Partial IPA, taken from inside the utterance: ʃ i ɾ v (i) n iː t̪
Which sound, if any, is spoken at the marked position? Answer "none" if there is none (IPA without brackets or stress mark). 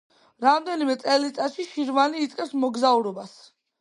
a